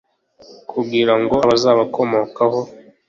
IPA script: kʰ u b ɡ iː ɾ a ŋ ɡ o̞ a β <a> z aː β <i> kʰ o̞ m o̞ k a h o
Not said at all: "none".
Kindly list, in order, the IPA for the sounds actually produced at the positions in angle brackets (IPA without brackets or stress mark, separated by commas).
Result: a, a